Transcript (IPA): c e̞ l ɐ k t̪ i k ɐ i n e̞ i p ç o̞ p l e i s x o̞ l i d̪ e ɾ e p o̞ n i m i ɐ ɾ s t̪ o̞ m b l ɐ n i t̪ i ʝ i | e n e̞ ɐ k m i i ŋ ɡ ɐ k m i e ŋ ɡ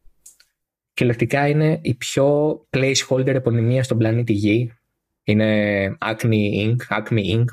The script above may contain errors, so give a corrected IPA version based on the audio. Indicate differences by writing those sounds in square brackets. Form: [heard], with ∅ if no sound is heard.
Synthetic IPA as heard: c e̞ l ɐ k t̪ i k ɐ i n e̞ i p ç o̞ p l e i s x o̞ l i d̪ e ɾ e p o̞ n i m i ɐ [∅] s t̪ o̞ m b l ɐ n i t̪ i ʝ i | [i] n e̞ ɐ k [n] i i ŋ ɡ ɐ k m i [i] ŋ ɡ